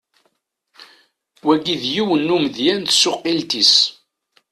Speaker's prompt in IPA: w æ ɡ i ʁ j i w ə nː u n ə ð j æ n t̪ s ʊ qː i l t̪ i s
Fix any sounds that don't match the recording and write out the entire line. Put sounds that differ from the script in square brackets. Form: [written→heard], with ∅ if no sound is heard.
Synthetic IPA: w æ ɡ i [ʁ→ð] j i w ə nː u [n→m] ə ð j æ n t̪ s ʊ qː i l t̪ i s

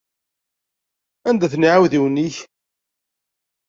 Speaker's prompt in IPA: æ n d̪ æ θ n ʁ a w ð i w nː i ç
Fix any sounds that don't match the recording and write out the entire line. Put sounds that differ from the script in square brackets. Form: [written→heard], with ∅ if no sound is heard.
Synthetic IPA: æ n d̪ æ θ n [ʁ→ʕ] a w ð i w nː i ç

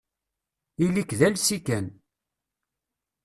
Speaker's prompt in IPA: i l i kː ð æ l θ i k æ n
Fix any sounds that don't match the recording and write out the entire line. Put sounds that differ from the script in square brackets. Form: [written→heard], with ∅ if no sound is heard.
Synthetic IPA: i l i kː ð æ l [θ→s] i k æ n

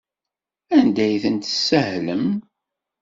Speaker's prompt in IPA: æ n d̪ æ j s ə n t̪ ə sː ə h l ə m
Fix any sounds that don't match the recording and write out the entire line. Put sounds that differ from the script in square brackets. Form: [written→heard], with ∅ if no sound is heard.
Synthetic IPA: æ n d̪ æ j [s→θ] ə n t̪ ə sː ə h l ə m

